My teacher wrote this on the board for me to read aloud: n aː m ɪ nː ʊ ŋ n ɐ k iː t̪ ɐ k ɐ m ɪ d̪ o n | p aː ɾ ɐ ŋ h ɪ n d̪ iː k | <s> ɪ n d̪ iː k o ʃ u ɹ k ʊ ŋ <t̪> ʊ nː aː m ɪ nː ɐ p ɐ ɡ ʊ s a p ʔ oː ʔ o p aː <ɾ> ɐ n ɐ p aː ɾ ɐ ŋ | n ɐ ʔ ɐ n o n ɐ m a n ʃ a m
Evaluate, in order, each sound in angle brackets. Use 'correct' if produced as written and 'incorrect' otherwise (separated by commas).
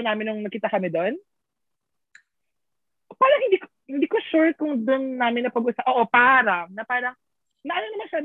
incorrect, incorrect, correct